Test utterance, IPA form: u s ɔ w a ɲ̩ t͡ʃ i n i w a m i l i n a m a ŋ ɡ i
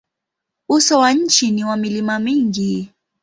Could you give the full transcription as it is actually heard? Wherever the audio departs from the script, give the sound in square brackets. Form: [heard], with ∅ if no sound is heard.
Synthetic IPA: u s ɔ w a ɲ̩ t͡ʃ i n i w a m i l i [m] a m [i] ŋ ɡ i